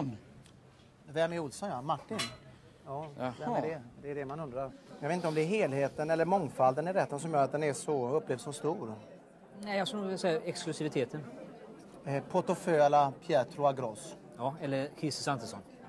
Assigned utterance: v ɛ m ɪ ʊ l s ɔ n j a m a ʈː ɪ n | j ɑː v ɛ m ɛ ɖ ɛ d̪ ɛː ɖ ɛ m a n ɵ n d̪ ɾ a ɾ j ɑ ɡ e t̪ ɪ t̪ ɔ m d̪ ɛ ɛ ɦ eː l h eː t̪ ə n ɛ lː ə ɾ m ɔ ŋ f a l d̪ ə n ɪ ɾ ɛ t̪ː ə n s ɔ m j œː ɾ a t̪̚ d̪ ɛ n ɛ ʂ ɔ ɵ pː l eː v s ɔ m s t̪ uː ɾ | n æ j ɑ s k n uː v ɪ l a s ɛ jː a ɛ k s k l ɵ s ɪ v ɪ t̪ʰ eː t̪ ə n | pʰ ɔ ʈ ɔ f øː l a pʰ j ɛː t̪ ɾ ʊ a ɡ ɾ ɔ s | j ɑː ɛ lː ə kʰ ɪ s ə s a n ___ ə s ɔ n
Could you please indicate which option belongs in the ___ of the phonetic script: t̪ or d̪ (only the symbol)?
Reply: t̪